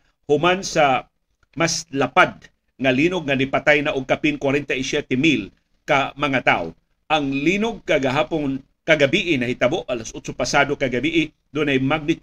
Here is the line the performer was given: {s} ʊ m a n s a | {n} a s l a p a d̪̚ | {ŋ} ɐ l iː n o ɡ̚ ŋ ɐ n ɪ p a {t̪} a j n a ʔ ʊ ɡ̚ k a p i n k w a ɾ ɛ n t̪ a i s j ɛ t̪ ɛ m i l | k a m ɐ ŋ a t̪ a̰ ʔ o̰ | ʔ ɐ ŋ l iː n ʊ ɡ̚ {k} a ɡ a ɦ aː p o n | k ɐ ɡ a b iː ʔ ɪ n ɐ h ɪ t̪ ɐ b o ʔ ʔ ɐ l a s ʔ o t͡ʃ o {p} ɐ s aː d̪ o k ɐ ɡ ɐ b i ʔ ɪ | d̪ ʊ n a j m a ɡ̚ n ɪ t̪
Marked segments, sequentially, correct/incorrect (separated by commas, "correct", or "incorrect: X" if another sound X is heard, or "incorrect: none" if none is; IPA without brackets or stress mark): incorrect: h, incorrect: m, correct, correct, correct, correct